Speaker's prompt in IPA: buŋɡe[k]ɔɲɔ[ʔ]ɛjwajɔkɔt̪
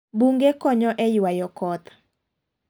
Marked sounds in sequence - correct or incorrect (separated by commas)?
correct, correct